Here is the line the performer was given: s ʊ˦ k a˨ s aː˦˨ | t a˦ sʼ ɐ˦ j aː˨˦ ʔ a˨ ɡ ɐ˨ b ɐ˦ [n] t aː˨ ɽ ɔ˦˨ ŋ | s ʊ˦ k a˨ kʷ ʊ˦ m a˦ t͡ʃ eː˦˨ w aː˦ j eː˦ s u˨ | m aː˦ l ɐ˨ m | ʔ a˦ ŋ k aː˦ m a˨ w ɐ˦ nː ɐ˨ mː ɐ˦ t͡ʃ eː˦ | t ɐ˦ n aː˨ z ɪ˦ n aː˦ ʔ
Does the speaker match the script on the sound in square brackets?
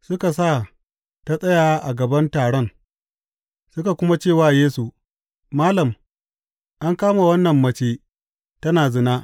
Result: yes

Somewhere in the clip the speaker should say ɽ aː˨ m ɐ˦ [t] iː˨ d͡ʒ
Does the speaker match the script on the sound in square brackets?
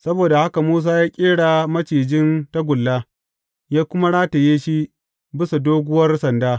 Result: no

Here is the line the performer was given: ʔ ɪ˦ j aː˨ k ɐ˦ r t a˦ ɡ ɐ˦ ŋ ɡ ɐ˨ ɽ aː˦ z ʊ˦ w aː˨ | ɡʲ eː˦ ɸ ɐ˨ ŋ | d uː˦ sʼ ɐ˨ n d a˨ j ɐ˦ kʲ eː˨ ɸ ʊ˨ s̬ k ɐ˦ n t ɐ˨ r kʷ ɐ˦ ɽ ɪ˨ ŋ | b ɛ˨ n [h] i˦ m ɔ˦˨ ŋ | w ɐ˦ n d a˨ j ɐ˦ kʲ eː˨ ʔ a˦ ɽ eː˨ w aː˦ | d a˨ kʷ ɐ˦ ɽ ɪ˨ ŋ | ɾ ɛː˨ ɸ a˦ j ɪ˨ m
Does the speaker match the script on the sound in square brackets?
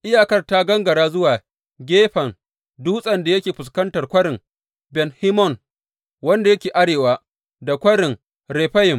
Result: yes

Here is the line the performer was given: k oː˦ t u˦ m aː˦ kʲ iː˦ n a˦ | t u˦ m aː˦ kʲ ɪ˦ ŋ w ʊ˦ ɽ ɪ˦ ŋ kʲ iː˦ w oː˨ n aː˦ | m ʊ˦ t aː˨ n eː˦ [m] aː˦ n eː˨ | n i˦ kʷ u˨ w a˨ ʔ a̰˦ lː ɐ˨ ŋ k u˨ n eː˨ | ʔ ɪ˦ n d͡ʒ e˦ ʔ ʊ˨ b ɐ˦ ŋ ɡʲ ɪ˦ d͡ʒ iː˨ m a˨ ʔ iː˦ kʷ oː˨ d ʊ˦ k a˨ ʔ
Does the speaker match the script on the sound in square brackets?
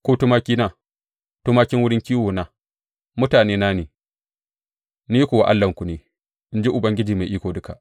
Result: no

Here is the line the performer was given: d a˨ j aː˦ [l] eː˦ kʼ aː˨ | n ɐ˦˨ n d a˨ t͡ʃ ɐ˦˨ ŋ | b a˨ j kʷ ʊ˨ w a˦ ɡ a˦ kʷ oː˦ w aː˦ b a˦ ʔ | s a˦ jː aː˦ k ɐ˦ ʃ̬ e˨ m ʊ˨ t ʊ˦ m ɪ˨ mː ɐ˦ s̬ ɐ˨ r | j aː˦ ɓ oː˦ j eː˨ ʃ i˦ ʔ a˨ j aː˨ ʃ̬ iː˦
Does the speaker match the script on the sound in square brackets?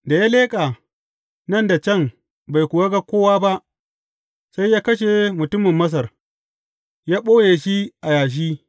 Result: yes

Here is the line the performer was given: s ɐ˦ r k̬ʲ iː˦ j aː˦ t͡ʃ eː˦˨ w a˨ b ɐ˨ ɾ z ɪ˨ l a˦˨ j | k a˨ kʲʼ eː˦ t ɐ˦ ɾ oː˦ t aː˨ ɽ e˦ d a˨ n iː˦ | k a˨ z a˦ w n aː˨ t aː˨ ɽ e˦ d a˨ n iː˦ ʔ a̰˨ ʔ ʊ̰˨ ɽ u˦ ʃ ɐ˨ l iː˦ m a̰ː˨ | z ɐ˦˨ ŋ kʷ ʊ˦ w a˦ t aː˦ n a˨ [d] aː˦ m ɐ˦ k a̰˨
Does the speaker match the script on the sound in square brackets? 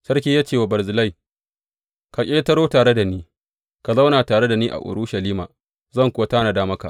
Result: yes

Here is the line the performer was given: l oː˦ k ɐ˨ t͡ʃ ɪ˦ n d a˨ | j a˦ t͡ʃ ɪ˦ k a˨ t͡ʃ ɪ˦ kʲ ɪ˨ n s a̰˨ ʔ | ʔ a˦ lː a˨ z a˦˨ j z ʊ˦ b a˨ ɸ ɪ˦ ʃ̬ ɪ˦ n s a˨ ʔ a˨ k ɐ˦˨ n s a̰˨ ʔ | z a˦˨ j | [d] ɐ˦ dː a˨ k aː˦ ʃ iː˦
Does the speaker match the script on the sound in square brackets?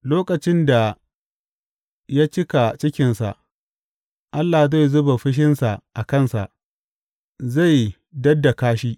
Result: yes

